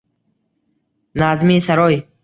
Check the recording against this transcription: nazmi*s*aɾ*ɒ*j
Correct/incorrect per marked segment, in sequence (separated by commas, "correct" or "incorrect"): correct, incorrect